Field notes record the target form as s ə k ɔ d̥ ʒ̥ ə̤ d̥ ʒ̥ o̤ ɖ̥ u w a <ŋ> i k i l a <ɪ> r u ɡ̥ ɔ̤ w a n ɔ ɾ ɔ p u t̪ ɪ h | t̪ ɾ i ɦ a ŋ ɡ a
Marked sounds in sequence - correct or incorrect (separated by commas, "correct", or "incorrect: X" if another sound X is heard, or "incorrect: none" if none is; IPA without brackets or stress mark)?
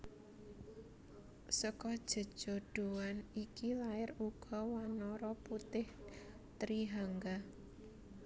incorrect: n, correct